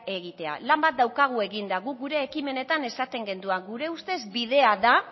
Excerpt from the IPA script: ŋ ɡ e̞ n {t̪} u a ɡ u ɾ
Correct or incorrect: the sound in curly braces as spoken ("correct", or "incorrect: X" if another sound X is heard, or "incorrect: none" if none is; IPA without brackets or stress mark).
incorrect: d̪